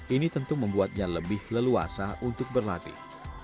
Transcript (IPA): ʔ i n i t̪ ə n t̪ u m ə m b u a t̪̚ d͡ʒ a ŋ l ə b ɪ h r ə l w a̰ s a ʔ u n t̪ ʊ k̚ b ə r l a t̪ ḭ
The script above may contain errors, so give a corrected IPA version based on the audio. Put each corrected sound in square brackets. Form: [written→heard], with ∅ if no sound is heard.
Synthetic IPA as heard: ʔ i n i t̪ ə n t̪ u m ə m b u a t̪̚ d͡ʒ a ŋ l ə b ɪ h [r→l] ə l [w→u] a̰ s a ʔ u n t̪ ʊ k̚ b ə r l a t̪ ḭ